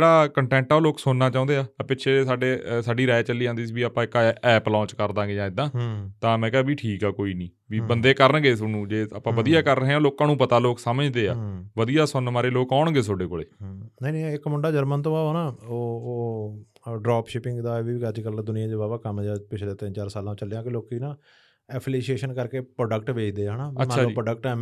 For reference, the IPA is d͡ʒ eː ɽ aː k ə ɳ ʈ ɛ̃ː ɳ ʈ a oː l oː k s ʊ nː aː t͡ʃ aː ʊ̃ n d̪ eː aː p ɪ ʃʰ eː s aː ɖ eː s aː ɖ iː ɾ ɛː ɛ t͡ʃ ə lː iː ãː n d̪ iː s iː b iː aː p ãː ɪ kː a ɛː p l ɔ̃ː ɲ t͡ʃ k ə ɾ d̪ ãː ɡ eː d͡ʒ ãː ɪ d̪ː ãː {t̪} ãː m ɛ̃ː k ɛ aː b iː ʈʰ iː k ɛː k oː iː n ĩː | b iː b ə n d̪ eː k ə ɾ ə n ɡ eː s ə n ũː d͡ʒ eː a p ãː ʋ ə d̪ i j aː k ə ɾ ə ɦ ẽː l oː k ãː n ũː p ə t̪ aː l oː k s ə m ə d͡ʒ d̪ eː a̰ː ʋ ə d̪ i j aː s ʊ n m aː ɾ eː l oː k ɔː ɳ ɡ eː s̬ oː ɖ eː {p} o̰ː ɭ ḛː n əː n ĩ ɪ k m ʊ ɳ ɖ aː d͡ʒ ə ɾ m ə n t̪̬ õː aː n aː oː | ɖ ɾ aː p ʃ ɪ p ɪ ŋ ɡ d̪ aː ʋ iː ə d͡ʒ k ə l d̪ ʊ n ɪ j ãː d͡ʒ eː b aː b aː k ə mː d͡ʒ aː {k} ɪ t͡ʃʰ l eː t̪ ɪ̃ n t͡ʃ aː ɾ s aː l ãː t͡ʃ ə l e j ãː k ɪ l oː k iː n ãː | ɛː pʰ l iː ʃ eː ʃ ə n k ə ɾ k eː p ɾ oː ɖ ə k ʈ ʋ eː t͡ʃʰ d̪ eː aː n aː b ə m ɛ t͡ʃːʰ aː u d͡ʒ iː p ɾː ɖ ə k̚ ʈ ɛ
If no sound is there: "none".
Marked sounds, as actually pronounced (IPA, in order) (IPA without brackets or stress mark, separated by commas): t̪, k, p